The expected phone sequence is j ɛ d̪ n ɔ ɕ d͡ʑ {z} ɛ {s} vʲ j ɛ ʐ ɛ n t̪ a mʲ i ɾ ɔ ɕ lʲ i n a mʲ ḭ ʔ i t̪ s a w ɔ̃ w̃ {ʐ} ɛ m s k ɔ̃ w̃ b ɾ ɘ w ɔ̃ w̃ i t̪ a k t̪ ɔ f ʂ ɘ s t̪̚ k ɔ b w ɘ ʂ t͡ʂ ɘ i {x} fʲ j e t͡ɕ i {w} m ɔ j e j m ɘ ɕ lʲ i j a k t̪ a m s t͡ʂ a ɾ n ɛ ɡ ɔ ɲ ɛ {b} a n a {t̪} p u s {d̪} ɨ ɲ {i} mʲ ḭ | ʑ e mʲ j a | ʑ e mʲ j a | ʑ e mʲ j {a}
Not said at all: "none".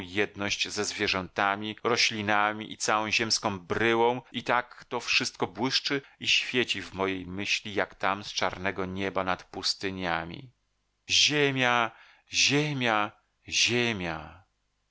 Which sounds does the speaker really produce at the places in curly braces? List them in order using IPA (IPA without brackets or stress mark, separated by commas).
z, z, ʑ, ɕ, v, b, t̪, t̪, a, a